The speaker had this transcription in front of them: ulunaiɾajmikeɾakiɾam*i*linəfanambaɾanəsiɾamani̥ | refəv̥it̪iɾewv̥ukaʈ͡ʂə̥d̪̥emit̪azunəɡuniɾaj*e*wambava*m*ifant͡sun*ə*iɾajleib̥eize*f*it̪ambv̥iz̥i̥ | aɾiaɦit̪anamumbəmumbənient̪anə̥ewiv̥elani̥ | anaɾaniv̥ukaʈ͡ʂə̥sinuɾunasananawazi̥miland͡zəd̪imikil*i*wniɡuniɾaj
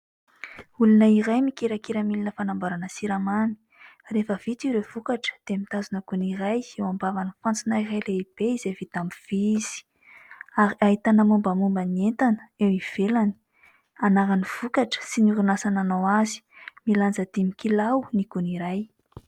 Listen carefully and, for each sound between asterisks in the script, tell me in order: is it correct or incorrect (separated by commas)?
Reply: correct, correct, incorrect, incorrect, incorrect, incorrect